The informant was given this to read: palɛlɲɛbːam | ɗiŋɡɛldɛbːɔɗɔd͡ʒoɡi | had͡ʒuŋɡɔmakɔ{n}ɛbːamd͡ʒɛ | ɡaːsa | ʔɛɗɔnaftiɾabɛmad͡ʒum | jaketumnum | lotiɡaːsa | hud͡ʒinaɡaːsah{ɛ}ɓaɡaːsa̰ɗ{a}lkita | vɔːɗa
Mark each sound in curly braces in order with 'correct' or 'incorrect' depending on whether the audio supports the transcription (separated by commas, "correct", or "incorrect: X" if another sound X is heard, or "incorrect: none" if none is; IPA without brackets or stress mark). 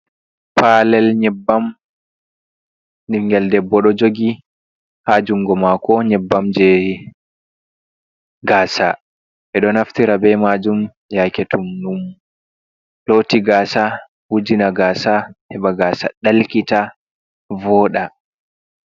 incorrect: ɲ, correct, correct